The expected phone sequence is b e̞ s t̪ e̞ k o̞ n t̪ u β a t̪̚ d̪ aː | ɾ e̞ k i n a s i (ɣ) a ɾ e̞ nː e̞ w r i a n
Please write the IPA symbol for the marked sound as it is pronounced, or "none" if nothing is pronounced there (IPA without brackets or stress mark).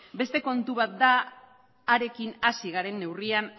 ɣ